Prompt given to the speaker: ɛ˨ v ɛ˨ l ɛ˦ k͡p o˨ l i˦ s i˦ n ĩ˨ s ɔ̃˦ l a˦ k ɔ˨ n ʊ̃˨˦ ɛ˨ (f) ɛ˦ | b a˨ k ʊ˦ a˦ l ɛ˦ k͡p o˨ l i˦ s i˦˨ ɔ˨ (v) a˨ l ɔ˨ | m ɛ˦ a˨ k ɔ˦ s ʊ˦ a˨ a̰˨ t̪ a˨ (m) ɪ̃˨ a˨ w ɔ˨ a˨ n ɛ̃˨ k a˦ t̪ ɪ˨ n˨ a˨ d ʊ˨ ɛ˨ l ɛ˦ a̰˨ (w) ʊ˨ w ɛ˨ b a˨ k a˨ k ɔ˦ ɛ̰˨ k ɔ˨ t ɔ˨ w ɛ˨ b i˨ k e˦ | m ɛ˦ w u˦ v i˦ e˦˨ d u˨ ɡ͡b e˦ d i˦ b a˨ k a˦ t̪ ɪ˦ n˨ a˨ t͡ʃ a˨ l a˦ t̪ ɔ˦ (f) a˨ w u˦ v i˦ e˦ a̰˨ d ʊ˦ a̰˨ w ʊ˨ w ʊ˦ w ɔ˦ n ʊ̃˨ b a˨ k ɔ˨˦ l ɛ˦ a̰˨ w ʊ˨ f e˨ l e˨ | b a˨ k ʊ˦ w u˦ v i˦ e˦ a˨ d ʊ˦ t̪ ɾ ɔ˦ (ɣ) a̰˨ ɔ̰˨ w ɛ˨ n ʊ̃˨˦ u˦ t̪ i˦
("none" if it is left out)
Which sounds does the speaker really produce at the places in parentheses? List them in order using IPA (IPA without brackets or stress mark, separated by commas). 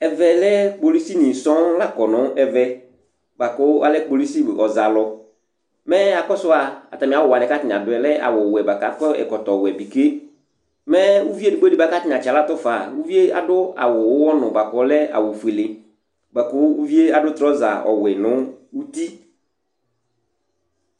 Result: v, z, m, w, f, z